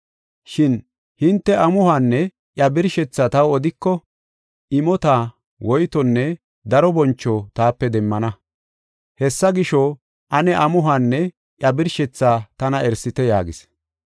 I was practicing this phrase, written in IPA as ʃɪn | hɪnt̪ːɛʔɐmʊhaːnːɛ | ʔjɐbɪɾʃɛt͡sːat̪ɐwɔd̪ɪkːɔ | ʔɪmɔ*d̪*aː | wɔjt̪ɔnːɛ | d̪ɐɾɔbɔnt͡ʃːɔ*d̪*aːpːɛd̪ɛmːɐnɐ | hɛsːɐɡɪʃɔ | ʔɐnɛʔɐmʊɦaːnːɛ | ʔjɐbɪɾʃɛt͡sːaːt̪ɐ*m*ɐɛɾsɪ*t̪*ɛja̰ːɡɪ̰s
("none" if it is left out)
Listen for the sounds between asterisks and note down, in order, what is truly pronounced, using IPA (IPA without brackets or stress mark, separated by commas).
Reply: t̪, t̪, n, t̪